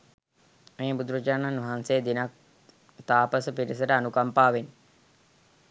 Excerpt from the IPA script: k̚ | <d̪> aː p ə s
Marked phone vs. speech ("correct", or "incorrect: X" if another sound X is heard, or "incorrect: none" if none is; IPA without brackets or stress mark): incorrect: t̪